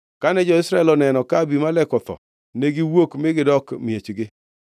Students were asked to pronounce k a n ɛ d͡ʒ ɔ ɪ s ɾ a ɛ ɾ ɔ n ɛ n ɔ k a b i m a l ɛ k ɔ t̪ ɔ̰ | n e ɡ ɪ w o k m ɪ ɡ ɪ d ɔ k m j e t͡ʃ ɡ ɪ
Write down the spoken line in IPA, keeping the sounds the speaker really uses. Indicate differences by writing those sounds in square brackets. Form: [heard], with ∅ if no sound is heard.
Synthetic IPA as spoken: k a n ɛ d͡ʒ ɔ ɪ s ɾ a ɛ [l] ɔ n ɛ n ɔ k a b i m a l ɛ k ɔ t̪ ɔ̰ | n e ɡ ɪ w o k m ɪ ɡ ɪ d ɔ k m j e t͡ʃ ɡ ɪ